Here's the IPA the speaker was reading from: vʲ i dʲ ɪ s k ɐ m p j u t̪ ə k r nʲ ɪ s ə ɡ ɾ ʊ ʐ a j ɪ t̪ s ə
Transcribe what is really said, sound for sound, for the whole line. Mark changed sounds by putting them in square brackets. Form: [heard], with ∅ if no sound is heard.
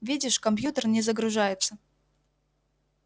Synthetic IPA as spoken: vʲ i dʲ ɪ [ʂ] k ɐ m p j u t̪ ə [∅] r nʲ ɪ [z] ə ɡ ɾ ʊ ʐ a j ɪ t̪ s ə